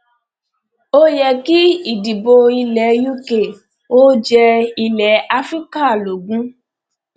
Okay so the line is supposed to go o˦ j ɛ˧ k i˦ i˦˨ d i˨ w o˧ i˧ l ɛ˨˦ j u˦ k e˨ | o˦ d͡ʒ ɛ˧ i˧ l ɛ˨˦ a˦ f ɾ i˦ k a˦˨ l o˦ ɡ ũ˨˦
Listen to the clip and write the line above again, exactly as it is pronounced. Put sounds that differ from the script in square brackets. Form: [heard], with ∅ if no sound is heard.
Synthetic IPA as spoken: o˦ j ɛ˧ k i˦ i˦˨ d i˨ [b] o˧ i˧ l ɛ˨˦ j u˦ k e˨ | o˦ d͡ʒ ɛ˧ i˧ l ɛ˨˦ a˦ f ɾ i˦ k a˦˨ l [o˨] ɡ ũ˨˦